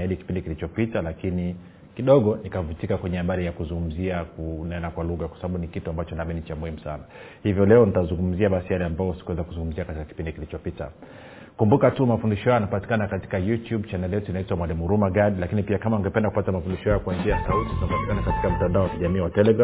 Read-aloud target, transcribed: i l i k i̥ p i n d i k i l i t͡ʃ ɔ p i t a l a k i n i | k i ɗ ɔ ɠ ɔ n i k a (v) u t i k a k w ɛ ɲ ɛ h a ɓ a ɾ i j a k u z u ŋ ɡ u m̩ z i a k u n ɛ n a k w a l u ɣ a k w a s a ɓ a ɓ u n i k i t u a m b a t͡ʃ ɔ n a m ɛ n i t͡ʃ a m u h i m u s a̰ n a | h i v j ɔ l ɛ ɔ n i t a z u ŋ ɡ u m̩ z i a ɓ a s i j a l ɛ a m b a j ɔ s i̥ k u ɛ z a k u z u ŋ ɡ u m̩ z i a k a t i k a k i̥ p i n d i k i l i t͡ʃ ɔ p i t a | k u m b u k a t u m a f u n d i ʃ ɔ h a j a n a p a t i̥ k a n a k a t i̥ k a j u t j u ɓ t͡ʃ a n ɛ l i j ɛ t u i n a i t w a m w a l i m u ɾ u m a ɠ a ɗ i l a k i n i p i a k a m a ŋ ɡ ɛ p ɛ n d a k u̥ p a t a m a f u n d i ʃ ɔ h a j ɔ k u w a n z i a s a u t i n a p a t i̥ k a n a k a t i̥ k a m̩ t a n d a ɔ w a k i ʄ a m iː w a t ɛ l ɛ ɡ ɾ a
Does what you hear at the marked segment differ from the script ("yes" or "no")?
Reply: no